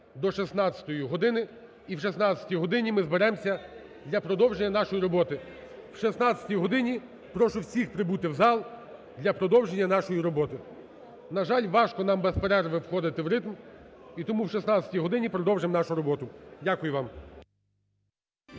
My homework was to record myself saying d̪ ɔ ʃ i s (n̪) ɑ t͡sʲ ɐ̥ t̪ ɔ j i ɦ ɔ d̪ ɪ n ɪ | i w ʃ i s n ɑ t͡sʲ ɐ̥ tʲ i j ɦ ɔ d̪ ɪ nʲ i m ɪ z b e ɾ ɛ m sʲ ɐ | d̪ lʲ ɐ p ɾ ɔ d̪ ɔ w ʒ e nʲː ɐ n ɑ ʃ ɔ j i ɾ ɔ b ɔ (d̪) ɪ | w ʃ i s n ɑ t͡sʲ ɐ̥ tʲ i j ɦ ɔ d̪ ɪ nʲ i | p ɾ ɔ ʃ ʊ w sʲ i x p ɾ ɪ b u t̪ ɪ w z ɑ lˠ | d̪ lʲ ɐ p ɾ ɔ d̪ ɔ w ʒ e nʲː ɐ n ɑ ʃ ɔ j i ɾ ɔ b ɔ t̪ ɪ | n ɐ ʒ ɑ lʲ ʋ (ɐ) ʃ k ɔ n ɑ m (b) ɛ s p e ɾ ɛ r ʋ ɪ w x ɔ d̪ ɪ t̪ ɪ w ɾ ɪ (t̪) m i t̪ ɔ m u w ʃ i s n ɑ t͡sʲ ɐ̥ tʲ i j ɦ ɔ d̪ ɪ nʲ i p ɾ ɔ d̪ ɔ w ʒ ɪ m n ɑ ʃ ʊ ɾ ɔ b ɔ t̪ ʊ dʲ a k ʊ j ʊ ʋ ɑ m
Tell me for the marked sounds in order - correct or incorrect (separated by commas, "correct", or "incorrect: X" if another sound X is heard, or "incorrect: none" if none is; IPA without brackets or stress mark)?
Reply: correct, incorrect: t̪, incorrect: ɑ, correct, correct